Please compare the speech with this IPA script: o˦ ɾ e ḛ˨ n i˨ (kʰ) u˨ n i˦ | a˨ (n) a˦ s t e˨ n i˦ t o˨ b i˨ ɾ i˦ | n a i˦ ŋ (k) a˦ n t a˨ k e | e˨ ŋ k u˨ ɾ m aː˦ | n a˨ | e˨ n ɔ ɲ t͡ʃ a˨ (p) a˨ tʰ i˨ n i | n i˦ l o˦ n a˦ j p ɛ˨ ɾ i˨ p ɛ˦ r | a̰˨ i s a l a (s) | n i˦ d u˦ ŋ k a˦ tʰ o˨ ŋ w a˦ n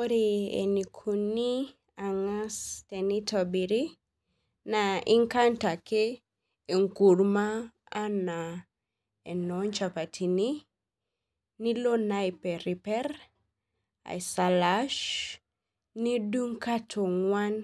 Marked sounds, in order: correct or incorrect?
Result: correct, incorrect: ŋ, correct, correct, incorrect: ʃ

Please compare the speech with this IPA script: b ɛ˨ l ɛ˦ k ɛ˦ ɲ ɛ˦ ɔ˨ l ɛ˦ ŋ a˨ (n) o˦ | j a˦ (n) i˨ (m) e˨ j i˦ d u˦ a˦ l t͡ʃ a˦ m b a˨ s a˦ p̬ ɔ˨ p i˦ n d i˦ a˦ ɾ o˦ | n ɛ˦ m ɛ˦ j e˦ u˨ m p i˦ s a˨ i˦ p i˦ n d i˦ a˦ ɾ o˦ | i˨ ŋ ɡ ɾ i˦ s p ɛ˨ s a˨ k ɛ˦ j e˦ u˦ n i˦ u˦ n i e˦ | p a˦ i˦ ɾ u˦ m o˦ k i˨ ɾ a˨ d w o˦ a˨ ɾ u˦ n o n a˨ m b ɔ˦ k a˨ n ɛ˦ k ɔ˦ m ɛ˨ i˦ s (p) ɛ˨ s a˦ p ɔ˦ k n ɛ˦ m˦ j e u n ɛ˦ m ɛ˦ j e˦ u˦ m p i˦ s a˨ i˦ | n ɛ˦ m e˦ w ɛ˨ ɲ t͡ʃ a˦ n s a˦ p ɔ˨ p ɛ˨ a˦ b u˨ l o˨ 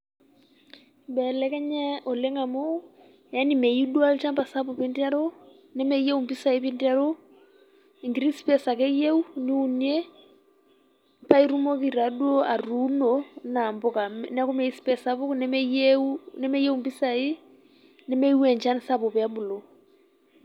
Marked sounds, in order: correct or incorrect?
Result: incorrect: m, correct, correct, correct

